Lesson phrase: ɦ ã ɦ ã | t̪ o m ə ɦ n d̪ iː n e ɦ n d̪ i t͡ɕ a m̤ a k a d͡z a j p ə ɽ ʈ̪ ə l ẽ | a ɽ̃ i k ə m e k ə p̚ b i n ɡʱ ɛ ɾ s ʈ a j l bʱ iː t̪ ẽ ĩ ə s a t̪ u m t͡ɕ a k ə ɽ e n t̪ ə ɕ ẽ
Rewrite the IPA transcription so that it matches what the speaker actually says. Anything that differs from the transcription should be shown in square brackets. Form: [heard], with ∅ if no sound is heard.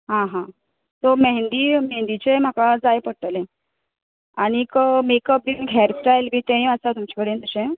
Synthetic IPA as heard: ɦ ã ɦ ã | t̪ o m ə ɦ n d̪ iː [m] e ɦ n d̪ i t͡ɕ [e] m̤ a k a d͡z a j p ə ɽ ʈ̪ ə l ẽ | a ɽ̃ i k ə m e k ə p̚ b i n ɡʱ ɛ ɾ s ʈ a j l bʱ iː t̪ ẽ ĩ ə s a t̪ u m t͡ɕ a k ə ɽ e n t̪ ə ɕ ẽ